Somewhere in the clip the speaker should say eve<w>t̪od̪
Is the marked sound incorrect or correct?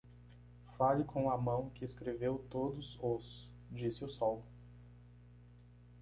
correct